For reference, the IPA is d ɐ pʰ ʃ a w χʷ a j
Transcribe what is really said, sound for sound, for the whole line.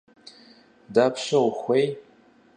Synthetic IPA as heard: d a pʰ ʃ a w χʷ e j